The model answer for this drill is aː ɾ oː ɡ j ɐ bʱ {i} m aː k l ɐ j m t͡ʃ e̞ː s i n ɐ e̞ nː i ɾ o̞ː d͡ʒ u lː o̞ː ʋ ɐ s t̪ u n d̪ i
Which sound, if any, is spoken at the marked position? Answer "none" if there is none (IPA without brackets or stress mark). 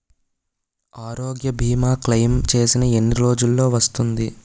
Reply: iː